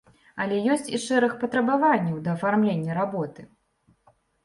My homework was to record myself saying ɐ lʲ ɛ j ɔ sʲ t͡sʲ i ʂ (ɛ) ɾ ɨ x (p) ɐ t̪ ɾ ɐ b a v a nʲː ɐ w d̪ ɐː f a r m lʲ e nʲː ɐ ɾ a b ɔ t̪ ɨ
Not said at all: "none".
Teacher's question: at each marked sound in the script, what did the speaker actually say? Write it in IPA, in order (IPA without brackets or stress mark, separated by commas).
ɛ, p